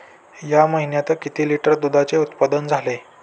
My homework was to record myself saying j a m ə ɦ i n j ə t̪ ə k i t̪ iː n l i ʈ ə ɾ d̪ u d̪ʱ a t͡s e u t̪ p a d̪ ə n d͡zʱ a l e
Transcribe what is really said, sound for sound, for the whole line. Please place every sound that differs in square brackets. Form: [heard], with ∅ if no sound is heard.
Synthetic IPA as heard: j a m ə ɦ i n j [a] t̪ ə k i t̪ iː [∅] l i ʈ ə ɾ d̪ u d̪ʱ a t͡s e u t̪ p a d̪ ə n d͡zʱ a l e